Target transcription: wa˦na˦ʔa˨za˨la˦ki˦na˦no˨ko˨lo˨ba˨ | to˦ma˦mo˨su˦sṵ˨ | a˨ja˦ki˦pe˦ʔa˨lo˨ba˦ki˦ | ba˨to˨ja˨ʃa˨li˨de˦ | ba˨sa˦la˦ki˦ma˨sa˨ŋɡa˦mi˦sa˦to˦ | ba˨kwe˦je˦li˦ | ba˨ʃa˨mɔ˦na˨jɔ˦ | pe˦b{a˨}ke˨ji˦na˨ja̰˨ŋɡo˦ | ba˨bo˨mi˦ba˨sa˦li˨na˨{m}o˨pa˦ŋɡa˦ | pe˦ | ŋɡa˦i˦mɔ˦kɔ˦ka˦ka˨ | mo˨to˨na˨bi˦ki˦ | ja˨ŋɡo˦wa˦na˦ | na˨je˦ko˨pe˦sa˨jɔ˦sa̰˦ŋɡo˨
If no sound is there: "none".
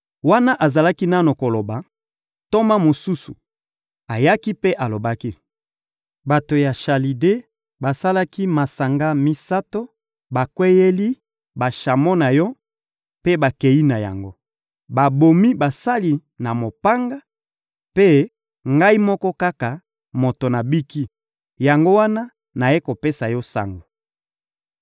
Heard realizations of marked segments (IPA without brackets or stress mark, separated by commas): a˨, m